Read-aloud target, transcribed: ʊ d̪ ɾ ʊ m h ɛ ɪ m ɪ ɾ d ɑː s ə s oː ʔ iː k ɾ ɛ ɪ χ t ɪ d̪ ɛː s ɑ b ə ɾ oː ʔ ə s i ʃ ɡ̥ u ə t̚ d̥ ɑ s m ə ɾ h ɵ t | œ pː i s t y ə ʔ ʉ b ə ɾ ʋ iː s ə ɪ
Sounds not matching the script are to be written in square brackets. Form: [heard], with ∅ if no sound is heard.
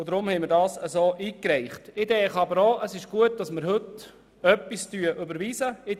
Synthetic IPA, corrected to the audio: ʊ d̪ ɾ ʊ m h ɛ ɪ m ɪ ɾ d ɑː s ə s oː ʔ iː k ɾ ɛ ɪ χ t ɪ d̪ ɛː [χ] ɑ b ə ɾ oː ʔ ə s [ɪ] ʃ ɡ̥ u ə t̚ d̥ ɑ s m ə ɾ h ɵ t | œ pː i s t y ə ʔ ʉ b ə ɾ ʋ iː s ə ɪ

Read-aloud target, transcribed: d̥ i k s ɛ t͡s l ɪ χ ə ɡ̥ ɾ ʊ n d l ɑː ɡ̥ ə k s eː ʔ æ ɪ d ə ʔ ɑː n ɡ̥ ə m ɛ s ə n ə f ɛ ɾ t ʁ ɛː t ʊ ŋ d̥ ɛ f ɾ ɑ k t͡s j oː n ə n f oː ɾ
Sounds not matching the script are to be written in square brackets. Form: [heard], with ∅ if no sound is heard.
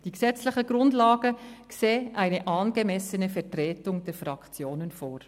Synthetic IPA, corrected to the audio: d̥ i k s ɛ t͡s l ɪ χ ə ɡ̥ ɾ ʊ n d l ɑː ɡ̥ ə k s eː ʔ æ ɪ [n] ə ʔ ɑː n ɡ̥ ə m ɛ s ə n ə f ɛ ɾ t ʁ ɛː t ʊ ŋ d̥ ɛ f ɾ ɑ k t͡s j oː n ə n f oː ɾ

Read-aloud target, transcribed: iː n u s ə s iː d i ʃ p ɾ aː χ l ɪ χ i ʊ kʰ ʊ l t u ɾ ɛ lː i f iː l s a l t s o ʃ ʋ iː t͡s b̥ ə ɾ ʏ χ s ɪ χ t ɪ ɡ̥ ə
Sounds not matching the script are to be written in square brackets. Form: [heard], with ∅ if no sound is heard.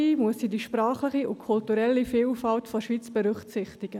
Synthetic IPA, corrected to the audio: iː [m] u [∅] ə s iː d i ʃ p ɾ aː χ l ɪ χ i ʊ kʰ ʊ l t u ɾ ɛ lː i f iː l [f] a l t [f] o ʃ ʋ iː t͡s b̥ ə ɾ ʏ χ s ɪ χ t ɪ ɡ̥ ə

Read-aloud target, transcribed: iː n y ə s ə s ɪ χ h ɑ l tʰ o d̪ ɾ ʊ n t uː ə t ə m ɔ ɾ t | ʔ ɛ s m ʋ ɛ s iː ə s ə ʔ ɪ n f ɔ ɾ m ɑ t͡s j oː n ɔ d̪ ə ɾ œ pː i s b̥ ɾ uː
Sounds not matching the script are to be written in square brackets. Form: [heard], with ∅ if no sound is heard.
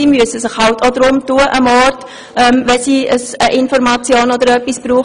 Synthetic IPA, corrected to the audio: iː [m] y ə s ə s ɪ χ h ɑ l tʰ o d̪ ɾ ʊ [m] t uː ə [ʔ] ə m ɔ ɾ t | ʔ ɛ [∅] m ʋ ɛ s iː ə s ə ʔ ɪ n f ɔ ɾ m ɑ t͡s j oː n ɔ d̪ ə ɾ œ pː i s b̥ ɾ uː

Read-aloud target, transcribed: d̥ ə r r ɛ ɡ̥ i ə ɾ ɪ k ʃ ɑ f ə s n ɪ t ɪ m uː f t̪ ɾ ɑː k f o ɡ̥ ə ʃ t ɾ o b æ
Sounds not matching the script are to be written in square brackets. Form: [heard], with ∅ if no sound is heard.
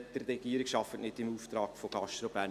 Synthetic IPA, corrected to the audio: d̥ ə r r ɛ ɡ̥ i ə ɾ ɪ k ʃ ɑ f ə [t] n ɪ t ɪ m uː f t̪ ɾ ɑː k f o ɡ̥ [ɑ] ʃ t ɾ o b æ

